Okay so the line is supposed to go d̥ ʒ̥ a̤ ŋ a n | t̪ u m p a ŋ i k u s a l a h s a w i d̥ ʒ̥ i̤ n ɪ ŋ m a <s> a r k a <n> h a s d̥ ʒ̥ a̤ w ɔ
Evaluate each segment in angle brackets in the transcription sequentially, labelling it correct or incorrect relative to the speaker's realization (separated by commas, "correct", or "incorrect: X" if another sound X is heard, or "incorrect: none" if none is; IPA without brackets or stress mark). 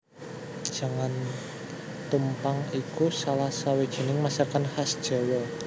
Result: correct, correct